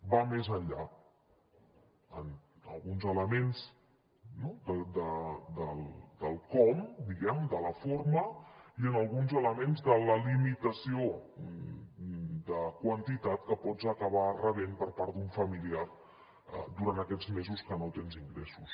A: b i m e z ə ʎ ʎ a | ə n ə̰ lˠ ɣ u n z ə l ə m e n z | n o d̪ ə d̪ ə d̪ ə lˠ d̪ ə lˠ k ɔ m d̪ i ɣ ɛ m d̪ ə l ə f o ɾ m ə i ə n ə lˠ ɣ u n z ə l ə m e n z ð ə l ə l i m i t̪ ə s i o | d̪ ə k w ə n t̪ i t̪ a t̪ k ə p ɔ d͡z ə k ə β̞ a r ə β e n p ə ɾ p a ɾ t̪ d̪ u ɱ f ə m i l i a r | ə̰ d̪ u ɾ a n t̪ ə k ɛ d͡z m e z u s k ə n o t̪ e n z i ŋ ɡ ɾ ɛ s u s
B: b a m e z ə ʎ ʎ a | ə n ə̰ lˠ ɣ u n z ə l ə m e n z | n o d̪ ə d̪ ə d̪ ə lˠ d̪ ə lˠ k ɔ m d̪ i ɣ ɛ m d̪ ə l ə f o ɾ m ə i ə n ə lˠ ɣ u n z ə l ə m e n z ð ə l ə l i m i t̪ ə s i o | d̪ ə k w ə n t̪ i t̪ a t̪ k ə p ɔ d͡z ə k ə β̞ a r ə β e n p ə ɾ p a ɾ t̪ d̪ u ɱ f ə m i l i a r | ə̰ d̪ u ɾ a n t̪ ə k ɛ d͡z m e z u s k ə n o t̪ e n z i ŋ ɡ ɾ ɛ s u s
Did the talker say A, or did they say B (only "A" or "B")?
B